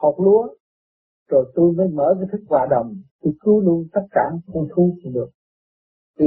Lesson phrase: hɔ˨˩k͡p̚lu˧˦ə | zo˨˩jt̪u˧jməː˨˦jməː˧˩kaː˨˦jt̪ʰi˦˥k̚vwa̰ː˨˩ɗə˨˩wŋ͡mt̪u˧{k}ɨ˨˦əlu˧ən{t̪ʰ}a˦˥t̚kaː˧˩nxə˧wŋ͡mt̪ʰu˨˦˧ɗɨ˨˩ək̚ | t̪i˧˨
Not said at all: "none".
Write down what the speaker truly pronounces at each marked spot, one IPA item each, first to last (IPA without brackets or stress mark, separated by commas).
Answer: k, t̪